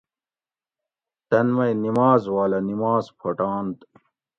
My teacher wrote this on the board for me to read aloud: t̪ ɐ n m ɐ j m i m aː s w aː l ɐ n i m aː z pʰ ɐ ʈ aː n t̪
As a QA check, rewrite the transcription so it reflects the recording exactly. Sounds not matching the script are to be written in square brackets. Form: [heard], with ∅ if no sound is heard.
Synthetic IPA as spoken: t̪ ɐ n m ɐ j [n] i m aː [z] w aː l ɐ n i m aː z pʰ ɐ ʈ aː n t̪